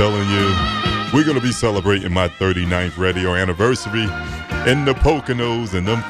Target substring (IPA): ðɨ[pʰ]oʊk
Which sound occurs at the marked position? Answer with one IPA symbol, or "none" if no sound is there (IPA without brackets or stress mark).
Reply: pʰ